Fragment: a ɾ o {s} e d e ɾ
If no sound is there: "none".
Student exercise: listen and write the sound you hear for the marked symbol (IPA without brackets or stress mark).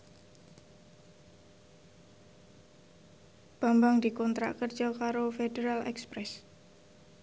f